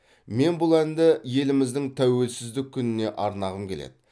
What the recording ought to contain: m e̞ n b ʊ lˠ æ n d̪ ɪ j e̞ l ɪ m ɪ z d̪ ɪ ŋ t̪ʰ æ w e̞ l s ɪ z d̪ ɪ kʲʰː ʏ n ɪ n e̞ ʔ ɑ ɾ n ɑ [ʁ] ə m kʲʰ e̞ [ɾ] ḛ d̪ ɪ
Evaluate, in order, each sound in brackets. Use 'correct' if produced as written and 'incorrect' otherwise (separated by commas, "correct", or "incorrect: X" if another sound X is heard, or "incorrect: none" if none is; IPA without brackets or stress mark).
correct, incorrect: l